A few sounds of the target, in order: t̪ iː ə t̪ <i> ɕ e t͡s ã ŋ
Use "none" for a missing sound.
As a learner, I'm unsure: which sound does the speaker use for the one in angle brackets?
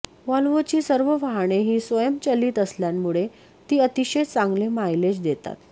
i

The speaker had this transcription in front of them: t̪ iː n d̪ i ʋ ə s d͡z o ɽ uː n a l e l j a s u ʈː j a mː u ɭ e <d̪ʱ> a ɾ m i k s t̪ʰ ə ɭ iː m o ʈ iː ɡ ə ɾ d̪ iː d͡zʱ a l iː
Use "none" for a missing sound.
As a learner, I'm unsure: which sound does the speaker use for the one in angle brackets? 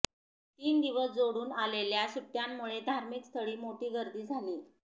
d̪ʱ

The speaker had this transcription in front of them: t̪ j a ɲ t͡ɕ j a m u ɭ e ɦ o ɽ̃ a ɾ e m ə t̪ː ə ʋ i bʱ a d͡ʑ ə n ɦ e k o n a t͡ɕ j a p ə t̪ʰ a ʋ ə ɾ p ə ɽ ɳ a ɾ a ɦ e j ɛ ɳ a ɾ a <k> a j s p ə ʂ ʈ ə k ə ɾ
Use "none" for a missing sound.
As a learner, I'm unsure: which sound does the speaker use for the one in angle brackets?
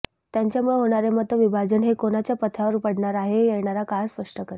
k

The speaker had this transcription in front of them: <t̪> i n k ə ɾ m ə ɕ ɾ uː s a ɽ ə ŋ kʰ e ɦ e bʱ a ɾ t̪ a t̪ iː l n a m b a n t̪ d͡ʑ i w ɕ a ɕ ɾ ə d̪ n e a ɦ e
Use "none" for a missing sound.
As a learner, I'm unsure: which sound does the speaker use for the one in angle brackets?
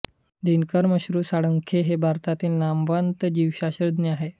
d̪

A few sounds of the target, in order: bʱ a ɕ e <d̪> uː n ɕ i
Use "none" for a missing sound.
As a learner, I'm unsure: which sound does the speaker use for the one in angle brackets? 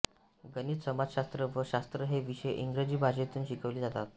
t̪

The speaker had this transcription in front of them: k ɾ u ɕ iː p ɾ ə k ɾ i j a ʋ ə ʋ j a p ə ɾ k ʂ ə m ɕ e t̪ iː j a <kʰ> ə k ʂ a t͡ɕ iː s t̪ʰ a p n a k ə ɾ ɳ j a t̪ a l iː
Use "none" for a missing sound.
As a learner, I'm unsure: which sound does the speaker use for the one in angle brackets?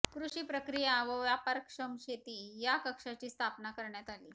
k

